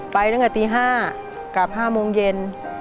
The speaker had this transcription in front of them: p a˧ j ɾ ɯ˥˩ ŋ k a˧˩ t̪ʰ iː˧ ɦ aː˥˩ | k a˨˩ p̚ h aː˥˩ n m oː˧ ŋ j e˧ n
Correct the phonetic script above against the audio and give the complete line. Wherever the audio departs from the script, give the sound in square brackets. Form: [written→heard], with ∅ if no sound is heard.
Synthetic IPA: p a˧ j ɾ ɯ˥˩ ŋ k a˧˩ [t̪ʰ→t̪] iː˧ ɦ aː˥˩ | k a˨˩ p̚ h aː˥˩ [n→∅] m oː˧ ŋ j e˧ n